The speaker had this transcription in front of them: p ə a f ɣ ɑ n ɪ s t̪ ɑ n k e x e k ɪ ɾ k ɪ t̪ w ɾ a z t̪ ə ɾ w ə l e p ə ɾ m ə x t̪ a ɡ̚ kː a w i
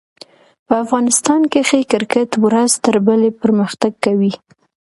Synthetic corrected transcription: p ə a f ɣ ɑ n ɪ s t̪ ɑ n k e x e k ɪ ɾ k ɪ t̪ w ɾ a z t̪ ə ɾ b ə l e p ə ɾ m ə x t̪ a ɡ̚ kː a w i